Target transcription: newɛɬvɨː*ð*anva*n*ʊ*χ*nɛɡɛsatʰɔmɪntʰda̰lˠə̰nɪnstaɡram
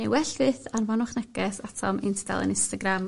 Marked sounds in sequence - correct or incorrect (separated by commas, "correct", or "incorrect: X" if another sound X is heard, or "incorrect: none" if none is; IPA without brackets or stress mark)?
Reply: incorrect: θ, correct, correct